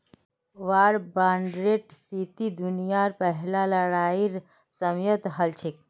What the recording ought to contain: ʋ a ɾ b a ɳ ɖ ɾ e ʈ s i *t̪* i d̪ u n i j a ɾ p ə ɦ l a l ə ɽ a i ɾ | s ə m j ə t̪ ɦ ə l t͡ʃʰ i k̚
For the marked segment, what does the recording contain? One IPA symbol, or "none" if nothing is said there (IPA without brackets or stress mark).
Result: t̪